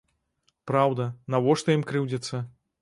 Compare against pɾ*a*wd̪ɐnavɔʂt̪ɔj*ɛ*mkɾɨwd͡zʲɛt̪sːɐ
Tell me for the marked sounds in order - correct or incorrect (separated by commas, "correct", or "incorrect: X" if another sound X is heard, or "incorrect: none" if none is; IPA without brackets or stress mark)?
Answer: correct, incorrect: i